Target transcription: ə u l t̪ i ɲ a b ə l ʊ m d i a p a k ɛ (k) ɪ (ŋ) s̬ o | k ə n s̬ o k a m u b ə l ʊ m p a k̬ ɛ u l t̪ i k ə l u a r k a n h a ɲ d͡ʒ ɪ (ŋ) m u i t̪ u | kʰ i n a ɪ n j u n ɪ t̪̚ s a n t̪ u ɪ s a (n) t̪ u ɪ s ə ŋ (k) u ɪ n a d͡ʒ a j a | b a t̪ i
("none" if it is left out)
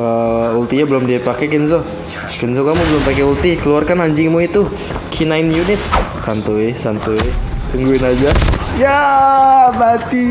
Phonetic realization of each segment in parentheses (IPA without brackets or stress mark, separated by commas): k, n, ŋ, n, ɡ